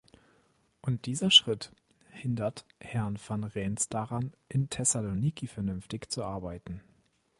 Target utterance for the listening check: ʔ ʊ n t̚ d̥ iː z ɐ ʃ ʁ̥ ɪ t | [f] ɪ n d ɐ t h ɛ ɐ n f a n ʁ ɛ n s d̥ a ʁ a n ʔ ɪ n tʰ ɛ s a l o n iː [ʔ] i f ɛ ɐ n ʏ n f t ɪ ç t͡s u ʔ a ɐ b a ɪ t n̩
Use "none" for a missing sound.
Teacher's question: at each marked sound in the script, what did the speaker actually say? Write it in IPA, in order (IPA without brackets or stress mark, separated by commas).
h, k